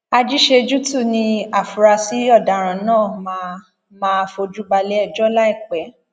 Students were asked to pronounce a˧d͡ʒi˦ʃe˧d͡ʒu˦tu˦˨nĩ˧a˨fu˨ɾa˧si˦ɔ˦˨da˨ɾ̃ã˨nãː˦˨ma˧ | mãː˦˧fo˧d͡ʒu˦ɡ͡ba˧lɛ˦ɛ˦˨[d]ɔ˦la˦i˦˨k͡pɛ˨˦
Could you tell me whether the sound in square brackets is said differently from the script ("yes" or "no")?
yes